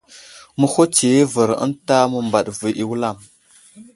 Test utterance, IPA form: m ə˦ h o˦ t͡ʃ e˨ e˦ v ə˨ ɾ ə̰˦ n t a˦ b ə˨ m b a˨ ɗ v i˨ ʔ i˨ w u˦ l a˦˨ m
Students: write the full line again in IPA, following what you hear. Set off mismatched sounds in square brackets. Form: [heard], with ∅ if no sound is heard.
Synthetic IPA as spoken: m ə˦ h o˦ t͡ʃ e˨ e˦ v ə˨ ɾ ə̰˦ n t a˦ [m] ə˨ m b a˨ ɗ v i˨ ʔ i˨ w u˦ l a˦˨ m